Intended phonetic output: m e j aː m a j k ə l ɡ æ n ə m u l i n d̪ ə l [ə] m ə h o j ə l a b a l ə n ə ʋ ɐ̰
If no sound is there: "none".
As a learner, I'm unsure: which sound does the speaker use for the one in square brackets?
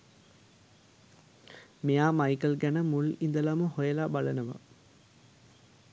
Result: a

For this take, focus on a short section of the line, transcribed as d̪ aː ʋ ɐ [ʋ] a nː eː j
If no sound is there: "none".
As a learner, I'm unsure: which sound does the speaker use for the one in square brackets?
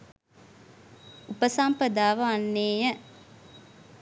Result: none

